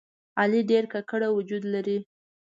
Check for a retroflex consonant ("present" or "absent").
present